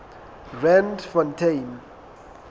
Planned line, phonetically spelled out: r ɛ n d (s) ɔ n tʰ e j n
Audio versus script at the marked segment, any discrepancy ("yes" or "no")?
yes